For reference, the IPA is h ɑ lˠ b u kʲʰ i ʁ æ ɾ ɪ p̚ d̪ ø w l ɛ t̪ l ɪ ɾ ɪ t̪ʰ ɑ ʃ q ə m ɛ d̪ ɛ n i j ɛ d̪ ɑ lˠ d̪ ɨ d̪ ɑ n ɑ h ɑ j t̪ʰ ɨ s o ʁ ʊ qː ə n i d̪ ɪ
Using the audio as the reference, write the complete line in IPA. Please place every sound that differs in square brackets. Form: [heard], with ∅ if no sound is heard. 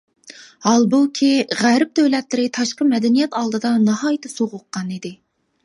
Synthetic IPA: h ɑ lˠ b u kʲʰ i ʁ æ ɾ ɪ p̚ d̪ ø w l ɛ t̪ l ɪ ɾ ɪ t̪ʰ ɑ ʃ q ə m ɛ d̪ ɛ n i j ɛ [t̪] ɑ lˠ d̪ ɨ d̪ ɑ n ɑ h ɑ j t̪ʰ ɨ s o ʁ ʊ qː [ɑ] n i d̪ ɪ